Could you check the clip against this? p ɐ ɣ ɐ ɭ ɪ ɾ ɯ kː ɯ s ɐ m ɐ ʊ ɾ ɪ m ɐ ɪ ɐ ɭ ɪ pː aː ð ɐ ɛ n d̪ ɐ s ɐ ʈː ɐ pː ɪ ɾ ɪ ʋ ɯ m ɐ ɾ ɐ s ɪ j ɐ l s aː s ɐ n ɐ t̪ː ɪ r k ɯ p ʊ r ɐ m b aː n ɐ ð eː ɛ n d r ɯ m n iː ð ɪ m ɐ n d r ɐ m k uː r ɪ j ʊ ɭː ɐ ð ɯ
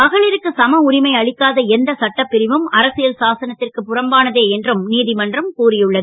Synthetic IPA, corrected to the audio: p ɐ ɣ ɐ ɭ ɪ ɾ ɯ kː ɯ s ɐ m ɐ ʊ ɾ ɪ m ɐ ɪ ɐ ɭ ɪ kː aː ð ɐ ɛ n d̪ ɐ s ɐ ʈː ɐ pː ɪ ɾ ɪ ʋ ɯ m ɐ ɾ ɐ s ɪ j ɐ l s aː s ɐ n ɐ t̪ː ɪ r k ɯ p ʊ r ɐ m b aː n ɐ ð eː ɛ n d r ɯ m n iː ð ɪ m ɐ n d r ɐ m k uː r ɪ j ɯ ɭː ɐ ð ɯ